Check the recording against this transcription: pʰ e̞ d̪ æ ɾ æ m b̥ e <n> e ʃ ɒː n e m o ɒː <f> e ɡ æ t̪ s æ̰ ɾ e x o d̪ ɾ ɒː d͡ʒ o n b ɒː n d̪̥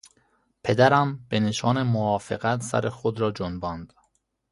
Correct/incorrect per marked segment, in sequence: correct, correct

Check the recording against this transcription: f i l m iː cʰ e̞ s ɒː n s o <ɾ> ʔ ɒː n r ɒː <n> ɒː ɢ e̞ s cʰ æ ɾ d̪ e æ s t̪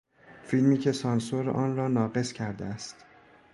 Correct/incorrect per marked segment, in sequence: correct, correct

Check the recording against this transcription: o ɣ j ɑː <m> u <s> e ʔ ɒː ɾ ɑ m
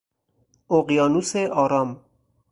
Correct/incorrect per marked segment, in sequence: incorrect: n, correct

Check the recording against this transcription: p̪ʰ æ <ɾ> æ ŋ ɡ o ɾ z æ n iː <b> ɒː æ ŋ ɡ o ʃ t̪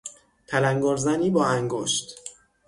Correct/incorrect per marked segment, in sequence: incorrect: l, correct

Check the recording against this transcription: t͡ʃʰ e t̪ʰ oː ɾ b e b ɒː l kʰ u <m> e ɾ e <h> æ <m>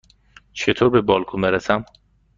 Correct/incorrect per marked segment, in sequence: correct, incorrect: s, correct

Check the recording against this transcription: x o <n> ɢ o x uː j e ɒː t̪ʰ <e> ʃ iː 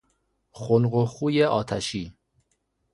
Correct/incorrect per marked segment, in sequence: correct, incorrect: æ

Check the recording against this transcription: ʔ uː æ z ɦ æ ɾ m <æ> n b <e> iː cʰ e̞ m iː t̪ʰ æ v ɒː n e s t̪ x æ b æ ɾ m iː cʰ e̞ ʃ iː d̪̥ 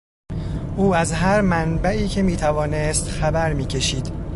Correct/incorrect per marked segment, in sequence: correct, incorrect: æ

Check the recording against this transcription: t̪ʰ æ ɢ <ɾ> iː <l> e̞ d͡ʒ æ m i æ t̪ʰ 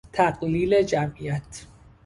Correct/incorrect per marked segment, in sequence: incorrect: l, correct

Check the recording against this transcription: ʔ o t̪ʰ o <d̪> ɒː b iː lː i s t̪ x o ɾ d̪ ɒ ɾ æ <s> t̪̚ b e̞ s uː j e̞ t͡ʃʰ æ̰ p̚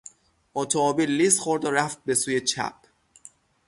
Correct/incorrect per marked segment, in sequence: incorrect: none, incorrect: f

